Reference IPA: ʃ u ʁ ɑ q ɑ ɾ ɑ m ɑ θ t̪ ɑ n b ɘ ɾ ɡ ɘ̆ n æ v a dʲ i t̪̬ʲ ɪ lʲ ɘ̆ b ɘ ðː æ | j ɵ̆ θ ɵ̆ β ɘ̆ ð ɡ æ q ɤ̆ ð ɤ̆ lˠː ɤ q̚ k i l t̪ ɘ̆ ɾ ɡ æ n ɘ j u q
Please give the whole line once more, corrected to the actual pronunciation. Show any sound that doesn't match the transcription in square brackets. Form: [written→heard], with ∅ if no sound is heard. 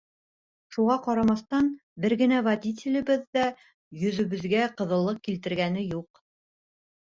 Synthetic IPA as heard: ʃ u ʁ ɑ q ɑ ɾ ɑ m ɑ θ t̪ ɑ n b ɘ ɾ ɡ ɘ̆ n æ v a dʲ i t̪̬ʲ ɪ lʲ ɘ̆ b ɘ ðː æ | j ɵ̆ [θ→ð] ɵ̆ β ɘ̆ ð ɡ æ q ɤ̆ ð ɤ̆ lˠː ɤ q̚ k i l t̪ ɘ̆ ɾ ɡ æ n ɘ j u q